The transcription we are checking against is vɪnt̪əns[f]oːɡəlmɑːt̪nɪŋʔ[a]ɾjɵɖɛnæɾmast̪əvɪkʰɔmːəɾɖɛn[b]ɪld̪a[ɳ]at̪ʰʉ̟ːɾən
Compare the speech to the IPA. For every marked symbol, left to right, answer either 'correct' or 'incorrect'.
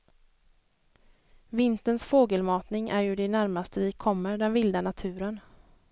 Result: correct, incorrect, incorrect, incorrect

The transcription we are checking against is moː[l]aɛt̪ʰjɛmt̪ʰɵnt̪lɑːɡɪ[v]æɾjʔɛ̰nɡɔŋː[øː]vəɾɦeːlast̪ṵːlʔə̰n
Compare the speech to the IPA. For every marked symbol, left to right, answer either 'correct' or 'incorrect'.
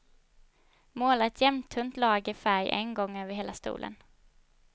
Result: correct, incorrect, correct

